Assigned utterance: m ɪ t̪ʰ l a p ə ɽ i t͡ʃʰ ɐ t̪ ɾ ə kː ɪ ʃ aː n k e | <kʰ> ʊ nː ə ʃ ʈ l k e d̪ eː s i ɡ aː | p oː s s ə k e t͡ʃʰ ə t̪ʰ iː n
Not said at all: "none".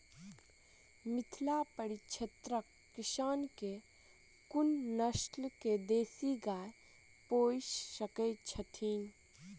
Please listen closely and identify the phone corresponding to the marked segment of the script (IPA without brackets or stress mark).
k